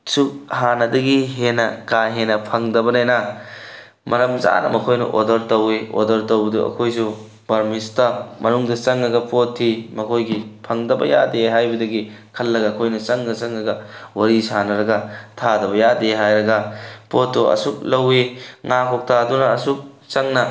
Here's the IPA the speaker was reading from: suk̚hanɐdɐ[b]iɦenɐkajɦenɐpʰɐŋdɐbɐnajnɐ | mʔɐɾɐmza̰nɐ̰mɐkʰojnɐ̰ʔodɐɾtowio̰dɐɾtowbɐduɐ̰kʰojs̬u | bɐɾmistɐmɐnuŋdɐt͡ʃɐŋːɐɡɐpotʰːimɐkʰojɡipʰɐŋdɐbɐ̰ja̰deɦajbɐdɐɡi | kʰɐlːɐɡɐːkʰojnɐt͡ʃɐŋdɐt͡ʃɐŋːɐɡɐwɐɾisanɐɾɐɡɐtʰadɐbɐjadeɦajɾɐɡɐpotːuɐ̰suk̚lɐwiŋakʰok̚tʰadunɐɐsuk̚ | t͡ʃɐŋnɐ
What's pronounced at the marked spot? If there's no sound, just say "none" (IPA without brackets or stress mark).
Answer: ɡ